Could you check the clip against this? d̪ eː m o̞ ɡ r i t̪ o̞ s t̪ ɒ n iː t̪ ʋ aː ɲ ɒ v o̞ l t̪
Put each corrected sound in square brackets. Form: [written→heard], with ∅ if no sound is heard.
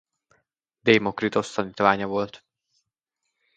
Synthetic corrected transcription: d̪ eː m o̞ [ɡ→k] r i t̪ o̞ s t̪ ɒ n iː t̪ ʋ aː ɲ ɒ v o̞ l t̪